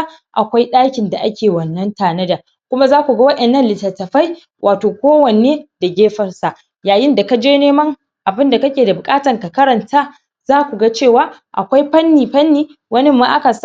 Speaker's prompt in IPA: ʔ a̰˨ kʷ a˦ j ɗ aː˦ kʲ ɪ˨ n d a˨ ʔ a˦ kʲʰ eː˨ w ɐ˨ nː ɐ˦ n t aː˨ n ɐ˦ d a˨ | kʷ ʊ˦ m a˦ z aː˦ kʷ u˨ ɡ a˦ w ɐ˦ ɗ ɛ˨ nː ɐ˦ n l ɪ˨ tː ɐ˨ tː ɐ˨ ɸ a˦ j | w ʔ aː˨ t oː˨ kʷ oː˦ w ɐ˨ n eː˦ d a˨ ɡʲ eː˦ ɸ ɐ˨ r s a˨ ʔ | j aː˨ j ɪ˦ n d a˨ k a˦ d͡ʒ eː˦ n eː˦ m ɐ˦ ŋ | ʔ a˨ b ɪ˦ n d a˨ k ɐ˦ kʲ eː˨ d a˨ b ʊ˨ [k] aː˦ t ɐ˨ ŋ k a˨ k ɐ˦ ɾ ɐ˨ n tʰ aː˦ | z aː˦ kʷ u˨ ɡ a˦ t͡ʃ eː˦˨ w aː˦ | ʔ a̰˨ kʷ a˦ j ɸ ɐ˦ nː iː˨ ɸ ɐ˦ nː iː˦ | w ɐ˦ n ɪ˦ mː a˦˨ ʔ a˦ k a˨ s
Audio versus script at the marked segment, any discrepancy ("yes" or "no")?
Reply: yes